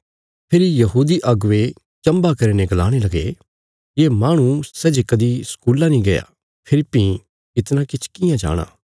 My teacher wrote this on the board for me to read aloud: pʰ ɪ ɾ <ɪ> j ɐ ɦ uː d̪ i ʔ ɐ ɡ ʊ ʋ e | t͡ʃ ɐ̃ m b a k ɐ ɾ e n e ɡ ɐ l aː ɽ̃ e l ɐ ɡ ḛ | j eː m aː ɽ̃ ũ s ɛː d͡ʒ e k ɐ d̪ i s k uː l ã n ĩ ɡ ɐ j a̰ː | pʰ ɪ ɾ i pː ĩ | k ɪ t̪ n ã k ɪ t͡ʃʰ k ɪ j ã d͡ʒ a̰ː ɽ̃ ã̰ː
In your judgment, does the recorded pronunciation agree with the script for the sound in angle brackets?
no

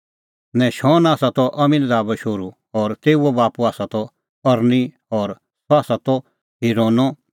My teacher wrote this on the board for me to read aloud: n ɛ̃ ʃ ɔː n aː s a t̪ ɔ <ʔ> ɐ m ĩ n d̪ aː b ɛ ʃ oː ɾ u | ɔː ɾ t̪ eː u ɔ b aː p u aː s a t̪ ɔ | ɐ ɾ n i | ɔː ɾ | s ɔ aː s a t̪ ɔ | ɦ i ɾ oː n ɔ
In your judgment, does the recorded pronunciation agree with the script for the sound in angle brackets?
yes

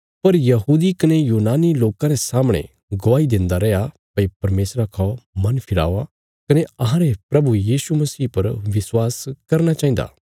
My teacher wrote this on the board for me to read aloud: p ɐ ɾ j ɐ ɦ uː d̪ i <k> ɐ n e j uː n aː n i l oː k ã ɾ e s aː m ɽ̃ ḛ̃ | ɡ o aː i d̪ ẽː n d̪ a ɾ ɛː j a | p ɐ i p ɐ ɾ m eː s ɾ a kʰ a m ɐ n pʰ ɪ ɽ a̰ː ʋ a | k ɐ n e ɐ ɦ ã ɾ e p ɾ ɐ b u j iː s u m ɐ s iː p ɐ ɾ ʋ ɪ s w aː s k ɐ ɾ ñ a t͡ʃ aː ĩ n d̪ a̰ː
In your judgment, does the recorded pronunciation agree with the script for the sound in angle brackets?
yes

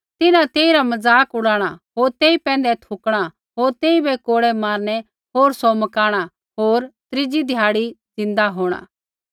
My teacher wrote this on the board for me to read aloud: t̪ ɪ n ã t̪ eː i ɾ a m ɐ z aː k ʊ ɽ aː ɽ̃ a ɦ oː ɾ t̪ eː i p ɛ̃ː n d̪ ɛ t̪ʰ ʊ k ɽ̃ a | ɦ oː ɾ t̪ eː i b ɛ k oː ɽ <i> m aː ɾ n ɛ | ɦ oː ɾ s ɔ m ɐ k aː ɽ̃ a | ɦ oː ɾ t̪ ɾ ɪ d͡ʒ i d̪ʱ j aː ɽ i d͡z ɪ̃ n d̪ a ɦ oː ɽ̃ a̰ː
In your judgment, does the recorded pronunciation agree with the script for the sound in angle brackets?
no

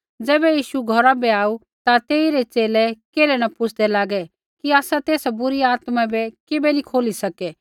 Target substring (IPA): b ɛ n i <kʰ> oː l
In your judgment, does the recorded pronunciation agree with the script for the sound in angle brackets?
yes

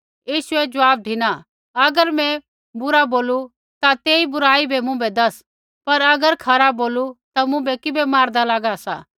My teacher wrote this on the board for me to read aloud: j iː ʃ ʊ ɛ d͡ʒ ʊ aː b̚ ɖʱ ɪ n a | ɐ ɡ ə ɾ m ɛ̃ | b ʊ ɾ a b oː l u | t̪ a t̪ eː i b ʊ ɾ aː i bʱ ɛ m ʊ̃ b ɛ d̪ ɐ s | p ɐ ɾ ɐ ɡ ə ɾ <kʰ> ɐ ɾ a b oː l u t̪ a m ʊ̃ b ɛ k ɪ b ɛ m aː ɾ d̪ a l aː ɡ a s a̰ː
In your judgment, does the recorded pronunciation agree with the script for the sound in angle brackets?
yes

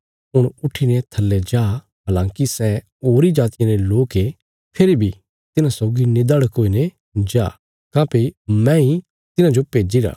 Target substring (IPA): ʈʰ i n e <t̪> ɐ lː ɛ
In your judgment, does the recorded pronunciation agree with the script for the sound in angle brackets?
no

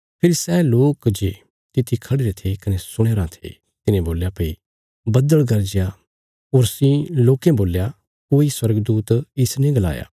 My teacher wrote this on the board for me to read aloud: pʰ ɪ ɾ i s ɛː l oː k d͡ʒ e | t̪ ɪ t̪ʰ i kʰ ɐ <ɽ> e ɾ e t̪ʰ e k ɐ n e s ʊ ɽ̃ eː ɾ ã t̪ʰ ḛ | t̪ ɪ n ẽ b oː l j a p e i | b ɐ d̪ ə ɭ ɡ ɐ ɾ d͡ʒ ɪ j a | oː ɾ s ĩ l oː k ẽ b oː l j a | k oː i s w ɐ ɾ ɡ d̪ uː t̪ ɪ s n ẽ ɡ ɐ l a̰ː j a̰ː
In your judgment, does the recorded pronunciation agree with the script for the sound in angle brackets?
yes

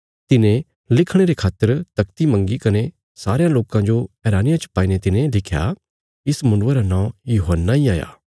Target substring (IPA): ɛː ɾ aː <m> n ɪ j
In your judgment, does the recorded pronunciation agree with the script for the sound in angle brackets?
no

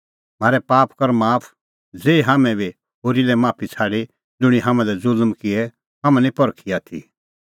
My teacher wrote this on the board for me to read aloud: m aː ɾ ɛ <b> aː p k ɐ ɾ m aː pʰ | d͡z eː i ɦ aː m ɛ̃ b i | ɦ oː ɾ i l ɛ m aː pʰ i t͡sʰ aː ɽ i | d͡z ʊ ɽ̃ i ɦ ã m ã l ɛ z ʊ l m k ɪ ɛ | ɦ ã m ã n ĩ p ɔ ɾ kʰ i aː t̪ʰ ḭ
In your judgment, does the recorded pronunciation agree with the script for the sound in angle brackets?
no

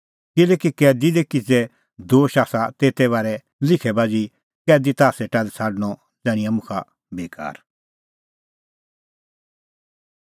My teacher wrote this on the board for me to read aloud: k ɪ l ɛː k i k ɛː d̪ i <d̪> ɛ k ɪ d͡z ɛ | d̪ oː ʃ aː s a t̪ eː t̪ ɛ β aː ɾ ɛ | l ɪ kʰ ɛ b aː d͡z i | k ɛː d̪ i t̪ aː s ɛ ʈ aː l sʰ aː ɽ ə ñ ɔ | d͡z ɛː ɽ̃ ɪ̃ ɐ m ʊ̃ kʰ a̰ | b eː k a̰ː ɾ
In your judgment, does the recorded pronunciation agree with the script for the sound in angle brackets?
yes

